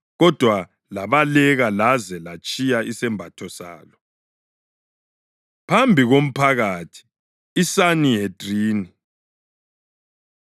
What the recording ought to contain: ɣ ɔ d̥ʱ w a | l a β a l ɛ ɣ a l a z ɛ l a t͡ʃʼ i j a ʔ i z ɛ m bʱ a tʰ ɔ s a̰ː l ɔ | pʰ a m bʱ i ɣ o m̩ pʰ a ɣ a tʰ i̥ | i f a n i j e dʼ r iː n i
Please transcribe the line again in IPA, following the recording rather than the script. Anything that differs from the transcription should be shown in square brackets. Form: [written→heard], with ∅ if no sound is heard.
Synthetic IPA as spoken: ɣ ɔ d̥ʱ w a | l a β a l ɛ ɣ a l a z ɛ l a t͡ʃʼ i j a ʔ i [z→s] ɛ m bʱ a tʰ ɔ s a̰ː l ɔ | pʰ a m bʱ i ɣ o m̩ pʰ a ɣ a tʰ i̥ | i [f→s] a n i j e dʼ r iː n i

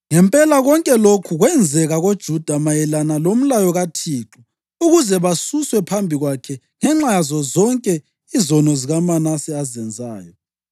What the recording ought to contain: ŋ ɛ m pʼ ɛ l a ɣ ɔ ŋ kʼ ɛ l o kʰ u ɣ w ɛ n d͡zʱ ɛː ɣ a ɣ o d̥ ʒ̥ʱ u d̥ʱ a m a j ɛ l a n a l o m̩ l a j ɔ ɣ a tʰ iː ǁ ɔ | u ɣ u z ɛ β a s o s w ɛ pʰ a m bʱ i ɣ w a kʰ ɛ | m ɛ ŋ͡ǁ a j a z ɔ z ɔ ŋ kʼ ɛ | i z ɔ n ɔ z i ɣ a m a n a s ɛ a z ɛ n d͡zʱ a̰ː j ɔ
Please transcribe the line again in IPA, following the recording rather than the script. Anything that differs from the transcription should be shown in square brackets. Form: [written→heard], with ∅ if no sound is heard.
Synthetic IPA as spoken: ŋ ɛ m pʼ ɛ l a ɣ ɔ ŋ kʼ ɛ l o kʰ u ɣ w ɛ n d͡zʱ [ɛː→ɛ] ɣ a ɣ o d̥ ʒ̥ʱ u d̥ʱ a m a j ɛ l a n a l o m̩ l a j ɔ ɣ a tʰ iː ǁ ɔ | u ɣ u z ɛ β a s [o→u] s w ɛ pʰ a m bʱ i ɣ w a kʰ ɛ | [m→ŋ] ɛ ŋ͡ǁ a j a z ɔ z ɔ ŋ kʼ ɛ | i z ɔ n ɔ z i ɣ a m a n a s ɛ a z ɛ n d͡zʱ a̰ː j ɔ

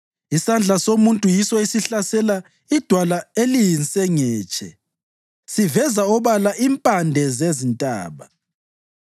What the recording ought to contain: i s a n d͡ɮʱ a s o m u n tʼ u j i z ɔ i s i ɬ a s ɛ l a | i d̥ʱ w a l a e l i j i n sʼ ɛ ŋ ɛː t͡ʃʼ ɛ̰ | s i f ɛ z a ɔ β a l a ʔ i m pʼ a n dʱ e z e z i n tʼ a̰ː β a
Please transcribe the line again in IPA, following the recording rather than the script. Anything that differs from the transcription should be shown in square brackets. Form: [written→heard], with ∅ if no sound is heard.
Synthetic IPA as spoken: i s a n d͡ɮʱ a s o m u n tʼ u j i [z→s] ɔ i s i ɬ a s ɛ l a | i d̥ʱ w a l a e l i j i n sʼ ɛ ŋ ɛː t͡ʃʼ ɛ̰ | s i [f→v] ɛ z a ɔ β a l a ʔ i m pʼ a n dʱ [e→ɛ] z e z i n tʼ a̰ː β a

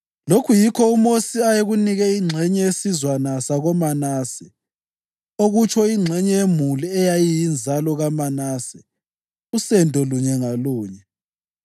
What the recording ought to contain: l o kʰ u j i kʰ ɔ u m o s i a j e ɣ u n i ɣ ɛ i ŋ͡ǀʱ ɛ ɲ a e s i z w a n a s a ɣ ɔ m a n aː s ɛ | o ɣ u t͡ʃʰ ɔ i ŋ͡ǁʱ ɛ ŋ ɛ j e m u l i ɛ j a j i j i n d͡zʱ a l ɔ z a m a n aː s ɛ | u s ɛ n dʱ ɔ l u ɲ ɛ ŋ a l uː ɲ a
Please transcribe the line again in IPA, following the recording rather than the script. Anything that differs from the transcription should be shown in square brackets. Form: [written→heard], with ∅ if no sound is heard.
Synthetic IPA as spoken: l o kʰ u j i kʰ ɔ u m o s i a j e ɣ u n i ɣ ɛ i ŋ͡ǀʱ ɛ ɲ [a→ɛ] e s i z w a n a s a ɣ ɔ m a n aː s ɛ | o ɣ u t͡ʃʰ ɔ i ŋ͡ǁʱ ɛ [ŋ→ɲ] ɛ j e m u l i ɛ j a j i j i n d͡zʱ a l ɔ [z→ɣ] a m a n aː s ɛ | u s ɛ n dʱ ɔ l u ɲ ɛ ŋ a l uː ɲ [a→ɛ]

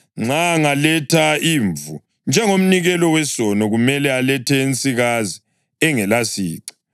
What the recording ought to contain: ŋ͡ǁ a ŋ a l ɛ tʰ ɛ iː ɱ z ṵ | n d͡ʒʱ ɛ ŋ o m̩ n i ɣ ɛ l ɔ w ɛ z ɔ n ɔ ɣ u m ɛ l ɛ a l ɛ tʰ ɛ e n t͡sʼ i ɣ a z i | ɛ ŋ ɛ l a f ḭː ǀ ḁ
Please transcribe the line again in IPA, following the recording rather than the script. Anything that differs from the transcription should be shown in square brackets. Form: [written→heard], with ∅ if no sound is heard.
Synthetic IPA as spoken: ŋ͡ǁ a ŋ a l ɛ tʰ [ɛ→a] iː ɱ [z→v] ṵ | n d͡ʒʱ ɛ ŋ o m̩ n i ɣ ɛ l ɔ w ɛ [z→s] ɔ n ɔ ɣ u m ɛ l ɛ a l ɛ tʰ ɛ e n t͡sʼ i ɣ a z i | ɛ ŋ ɛ l a [f→s] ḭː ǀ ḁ

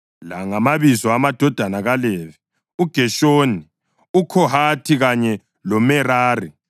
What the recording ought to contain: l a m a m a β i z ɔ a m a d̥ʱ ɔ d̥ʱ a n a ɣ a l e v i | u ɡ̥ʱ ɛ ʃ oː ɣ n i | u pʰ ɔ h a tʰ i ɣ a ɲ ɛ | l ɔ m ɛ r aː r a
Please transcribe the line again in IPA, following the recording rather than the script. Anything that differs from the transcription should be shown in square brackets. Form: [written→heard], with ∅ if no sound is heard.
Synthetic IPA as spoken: l a [m→ŋ] a m a β i z ɔ a m a d̥ʱ ɔ d̥ʱ a n a ɣ a l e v i | u ɡ̥ʱ ɛ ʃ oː [ɣ→∅] n i | u [pʰ→kʰ] ɔ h a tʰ i ɣ a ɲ ɛ | l ɔ m ɛ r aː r [a→i]

